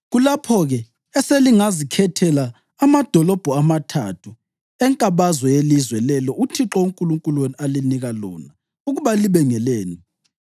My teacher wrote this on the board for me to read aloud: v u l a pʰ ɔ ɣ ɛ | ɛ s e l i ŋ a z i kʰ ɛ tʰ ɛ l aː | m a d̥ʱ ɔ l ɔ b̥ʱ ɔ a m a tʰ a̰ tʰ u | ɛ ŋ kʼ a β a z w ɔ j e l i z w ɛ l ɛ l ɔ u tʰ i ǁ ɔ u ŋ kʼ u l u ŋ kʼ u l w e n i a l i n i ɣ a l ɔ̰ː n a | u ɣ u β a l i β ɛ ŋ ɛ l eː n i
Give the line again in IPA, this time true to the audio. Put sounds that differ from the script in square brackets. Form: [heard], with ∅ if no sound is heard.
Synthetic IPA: [ɣ] u l a pʰ ɔ ɣ ɛ | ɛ s e l i ŋ a z i kʰ ɛ tʰ ɛ l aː | m a d̥ʱ ɔ l ɔ b̥ʱ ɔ a m a tʰ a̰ tʰ u | ɛ ŋ kʼ a β a z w ɔ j e l i z w ɛ l ɛ l ɔ u tʰ i ǁ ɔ u ŋ kʼ u l u ŋ kʼ u l w e n i a l i n i ɣ a l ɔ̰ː n a | u ɣ u β a l i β ɛ ŋ ɛ l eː n i